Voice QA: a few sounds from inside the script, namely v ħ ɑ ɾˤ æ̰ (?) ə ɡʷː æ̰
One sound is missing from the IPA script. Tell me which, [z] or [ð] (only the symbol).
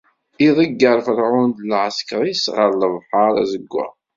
z